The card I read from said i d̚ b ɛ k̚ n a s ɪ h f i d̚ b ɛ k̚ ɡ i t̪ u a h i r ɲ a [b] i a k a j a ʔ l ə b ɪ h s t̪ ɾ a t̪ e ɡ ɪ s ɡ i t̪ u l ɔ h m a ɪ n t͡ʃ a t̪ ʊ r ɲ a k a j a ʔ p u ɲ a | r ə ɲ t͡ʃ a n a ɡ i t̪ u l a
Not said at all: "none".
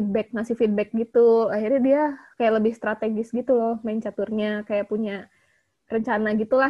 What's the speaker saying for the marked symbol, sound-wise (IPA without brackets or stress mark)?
d